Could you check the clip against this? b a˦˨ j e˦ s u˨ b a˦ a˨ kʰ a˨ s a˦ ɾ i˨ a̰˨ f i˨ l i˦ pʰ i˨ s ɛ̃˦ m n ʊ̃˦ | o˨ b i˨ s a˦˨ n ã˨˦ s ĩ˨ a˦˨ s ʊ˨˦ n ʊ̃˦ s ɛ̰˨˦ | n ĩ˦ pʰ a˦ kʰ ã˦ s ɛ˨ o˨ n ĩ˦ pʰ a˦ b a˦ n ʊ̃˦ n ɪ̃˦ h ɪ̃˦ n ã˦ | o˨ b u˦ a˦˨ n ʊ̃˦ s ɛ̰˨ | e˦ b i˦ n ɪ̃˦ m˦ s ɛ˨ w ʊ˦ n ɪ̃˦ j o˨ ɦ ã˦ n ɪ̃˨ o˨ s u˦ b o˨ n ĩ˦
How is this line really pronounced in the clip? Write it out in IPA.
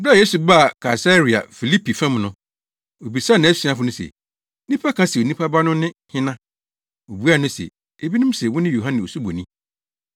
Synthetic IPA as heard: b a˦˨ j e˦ s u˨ b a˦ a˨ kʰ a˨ s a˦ ɾ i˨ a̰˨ f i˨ l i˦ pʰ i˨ f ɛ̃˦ m n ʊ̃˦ | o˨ b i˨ s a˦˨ n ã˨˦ s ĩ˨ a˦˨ f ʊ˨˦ n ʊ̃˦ s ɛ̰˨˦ | n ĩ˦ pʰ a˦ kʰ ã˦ s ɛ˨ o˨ n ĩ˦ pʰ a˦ b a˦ n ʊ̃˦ n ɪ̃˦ h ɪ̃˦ n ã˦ | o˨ b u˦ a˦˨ n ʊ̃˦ s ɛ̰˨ | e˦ b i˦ n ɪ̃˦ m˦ s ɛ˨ w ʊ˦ n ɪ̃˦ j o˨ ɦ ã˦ n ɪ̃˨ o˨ s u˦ b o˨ n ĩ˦